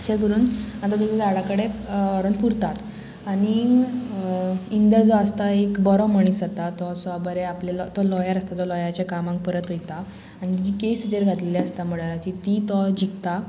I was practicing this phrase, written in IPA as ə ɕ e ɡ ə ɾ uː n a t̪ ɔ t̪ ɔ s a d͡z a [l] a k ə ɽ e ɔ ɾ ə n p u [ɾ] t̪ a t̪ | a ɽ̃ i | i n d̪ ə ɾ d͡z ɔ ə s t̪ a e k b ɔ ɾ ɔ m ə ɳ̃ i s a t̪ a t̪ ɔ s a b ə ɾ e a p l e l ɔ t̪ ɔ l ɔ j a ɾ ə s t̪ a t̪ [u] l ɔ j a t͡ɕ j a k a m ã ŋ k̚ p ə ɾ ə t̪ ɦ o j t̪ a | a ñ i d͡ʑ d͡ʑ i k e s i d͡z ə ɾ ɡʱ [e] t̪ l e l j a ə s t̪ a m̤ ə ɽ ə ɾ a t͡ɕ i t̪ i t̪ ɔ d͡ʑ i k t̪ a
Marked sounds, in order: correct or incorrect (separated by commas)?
incorrect, correct, incorrect, incorrect